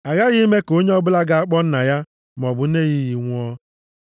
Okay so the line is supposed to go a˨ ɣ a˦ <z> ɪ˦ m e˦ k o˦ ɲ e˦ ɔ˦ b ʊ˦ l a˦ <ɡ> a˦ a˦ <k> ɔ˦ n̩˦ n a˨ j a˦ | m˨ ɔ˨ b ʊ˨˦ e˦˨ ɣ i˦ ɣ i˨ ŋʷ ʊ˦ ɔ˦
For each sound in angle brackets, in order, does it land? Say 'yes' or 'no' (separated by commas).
no, yes, no